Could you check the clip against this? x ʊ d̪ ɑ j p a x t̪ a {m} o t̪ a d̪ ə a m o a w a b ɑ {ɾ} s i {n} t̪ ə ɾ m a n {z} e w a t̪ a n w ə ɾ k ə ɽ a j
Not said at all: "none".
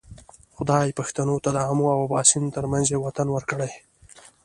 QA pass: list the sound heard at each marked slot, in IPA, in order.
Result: n, none, n, z

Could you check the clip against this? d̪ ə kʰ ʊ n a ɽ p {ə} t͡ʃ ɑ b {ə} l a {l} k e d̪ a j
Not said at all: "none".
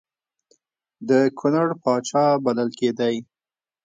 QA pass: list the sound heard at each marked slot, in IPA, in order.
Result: ɑ, a, l

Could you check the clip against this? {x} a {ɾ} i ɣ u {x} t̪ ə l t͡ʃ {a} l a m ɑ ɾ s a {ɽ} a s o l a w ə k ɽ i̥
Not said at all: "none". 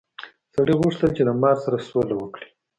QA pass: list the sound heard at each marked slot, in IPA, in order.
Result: s, ɽ, ʂ, e, ɾ

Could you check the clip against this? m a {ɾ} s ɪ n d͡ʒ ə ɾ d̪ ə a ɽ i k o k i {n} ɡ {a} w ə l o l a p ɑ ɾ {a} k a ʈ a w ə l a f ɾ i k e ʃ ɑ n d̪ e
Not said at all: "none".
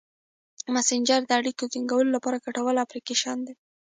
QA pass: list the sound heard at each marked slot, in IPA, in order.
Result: none, ŋ, a, a

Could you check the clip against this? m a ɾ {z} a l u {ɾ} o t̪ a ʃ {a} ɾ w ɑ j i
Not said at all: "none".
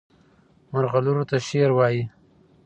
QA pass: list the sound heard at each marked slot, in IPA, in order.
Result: ɣ, ɾ, e

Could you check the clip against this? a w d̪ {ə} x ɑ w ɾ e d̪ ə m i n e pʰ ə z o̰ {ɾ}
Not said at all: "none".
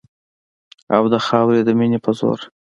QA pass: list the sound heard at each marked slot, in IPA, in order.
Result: ə, ɾ

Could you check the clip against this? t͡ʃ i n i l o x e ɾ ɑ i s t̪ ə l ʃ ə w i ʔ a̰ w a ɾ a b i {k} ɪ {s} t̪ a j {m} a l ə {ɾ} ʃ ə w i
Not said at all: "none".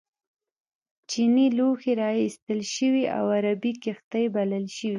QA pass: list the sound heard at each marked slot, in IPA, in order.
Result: k, x, b, l

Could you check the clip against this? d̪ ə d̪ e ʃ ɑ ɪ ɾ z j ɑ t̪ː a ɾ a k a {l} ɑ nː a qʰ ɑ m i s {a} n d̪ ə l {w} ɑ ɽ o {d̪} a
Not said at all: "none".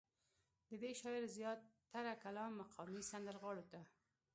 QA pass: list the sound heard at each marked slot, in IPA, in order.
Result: l, a, ɣ, t̪

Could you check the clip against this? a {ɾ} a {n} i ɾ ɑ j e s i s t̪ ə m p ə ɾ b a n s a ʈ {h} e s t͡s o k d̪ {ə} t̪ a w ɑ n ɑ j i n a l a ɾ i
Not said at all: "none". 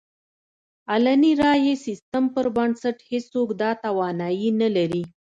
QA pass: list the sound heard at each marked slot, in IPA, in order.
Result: l, n, h, ɑ

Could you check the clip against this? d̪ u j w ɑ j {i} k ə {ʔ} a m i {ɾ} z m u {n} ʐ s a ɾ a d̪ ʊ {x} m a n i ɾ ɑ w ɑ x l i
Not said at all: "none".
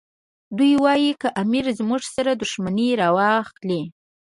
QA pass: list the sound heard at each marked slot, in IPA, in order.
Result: i, ʔ, ɾ, none, ʃ

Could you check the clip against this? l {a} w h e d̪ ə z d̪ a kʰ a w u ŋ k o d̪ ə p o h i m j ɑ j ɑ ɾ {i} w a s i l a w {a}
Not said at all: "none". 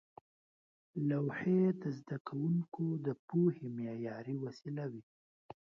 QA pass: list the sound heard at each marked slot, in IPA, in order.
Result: a, i, i

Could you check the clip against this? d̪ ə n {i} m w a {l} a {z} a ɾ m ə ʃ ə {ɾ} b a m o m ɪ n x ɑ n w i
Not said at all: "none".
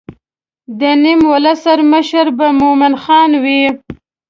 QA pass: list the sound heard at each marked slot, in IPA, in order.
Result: i, l, s, ɾ

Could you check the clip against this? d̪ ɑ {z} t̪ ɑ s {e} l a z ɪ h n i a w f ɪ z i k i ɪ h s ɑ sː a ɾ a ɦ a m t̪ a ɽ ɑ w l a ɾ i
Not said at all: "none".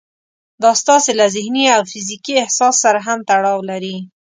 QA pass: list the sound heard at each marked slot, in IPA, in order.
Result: s, e

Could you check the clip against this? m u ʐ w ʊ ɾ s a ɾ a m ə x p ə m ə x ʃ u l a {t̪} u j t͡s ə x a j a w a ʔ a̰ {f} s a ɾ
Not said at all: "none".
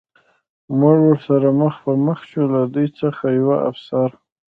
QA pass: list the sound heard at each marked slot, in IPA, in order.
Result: d̪, f

